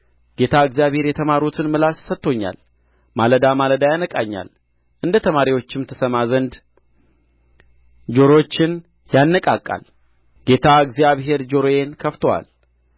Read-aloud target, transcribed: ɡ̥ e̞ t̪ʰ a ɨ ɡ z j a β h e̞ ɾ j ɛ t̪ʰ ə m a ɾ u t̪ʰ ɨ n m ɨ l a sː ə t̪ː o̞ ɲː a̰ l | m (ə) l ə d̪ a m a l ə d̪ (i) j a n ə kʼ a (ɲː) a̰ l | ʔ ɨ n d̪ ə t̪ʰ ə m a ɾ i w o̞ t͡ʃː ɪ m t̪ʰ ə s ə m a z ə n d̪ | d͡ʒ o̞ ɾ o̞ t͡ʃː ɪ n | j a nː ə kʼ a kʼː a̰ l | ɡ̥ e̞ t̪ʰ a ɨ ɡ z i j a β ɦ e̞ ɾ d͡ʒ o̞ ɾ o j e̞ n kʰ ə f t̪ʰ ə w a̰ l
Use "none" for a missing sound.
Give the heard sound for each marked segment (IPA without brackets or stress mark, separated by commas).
a, a, ɲː